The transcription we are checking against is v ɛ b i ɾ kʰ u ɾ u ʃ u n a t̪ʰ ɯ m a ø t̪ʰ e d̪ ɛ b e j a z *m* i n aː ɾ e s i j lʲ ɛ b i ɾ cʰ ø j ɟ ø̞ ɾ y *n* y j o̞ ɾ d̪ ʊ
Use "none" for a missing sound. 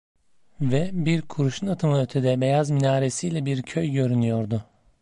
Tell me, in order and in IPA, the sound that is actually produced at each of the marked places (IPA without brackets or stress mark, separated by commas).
m, n